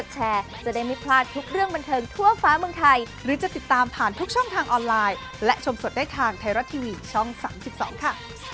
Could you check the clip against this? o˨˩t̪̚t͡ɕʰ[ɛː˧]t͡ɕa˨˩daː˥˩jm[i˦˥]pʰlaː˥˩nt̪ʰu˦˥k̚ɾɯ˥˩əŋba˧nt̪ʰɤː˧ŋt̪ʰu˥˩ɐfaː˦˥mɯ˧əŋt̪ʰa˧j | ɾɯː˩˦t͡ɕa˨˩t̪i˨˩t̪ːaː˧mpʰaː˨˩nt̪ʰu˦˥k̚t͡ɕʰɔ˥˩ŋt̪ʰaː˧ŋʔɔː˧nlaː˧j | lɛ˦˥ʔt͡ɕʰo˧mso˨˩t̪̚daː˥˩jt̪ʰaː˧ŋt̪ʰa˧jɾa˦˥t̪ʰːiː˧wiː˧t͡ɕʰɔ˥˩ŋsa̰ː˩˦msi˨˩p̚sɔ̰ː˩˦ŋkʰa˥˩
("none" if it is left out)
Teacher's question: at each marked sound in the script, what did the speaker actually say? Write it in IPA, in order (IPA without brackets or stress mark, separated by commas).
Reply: ɛː˧, i˦˥